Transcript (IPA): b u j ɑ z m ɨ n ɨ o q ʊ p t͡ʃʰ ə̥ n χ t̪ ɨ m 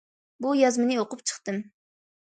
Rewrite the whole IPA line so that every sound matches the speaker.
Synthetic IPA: b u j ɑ z m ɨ n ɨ o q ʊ p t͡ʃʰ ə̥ χ t̪ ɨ m